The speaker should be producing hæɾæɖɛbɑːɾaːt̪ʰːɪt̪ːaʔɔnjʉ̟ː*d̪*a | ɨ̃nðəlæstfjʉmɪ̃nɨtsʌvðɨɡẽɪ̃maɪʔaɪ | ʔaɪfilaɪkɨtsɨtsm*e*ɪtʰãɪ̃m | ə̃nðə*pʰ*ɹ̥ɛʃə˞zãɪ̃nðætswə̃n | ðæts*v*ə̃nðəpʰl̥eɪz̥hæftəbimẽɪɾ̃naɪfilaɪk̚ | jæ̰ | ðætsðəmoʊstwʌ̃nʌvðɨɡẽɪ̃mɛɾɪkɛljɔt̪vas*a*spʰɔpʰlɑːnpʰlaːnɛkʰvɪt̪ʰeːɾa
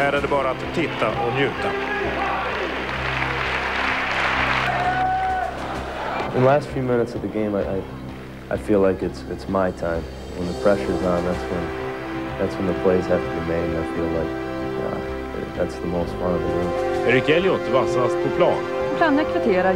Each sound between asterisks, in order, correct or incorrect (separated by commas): incorrect, incorrect, correct, incorrect, correct